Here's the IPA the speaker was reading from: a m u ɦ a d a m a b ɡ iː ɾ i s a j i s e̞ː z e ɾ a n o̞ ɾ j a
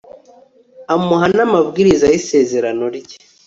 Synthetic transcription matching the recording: a m u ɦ a n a m a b ɡ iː ɾ i z a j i s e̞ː z e ɾ a n o̞ ɾ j e